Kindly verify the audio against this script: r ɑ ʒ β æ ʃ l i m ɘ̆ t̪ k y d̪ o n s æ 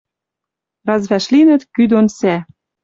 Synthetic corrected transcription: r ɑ z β æ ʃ l i n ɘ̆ t̪ k y d̪ o n s æ